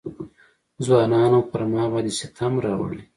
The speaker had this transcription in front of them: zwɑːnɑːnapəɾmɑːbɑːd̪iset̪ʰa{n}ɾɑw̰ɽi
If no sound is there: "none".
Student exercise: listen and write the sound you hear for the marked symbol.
m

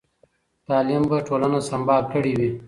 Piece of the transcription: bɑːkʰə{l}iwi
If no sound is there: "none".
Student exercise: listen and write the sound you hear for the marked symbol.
ɽ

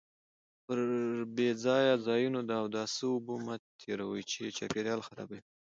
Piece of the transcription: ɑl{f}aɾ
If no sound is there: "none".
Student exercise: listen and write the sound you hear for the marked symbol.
x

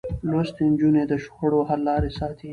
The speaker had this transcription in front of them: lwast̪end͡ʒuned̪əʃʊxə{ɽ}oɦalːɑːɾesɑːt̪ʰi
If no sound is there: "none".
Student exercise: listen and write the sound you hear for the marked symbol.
ɽ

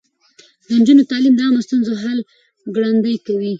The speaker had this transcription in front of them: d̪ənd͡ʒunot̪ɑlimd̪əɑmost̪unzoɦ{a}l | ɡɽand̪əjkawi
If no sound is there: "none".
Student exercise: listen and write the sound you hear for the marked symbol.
a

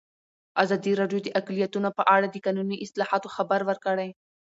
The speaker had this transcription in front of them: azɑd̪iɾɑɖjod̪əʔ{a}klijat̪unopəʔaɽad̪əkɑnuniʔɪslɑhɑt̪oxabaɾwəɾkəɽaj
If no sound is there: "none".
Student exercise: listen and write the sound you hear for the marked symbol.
a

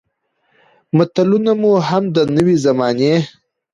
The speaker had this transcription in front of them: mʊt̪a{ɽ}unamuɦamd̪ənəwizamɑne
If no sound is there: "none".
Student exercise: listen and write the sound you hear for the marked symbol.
l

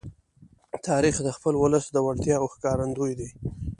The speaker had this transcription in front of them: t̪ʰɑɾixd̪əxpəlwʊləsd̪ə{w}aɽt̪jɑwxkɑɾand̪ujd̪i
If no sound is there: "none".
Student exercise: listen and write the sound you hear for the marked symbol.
w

